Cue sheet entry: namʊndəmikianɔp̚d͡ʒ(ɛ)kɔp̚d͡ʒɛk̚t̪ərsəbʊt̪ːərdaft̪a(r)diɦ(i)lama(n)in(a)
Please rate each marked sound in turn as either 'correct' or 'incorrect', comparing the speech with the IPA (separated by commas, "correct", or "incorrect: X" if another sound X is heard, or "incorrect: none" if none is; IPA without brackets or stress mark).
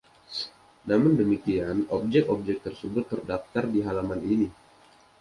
correct, correct, incorrect: a, correct, incorrect: i